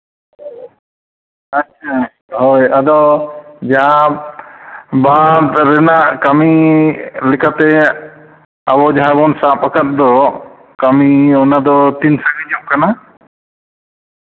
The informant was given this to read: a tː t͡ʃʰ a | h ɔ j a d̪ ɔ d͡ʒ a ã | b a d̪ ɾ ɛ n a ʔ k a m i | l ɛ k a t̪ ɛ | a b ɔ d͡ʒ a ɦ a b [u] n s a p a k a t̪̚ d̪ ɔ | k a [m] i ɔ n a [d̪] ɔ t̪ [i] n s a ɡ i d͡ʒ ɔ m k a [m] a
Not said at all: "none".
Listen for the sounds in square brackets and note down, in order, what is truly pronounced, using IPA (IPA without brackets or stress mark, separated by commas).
ɔ, m, d̪, i, n